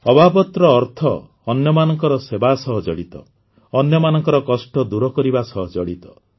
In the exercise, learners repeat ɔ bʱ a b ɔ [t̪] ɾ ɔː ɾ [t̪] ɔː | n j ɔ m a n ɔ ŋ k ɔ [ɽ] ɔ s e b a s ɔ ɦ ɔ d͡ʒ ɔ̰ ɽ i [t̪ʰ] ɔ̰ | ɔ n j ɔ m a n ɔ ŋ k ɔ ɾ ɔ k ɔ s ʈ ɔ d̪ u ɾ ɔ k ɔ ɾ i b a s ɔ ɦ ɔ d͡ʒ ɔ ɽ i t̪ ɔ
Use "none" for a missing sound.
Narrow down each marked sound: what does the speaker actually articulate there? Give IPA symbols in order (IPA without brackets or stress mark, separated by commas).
t̪, t̪ʰ, ɾ, t̪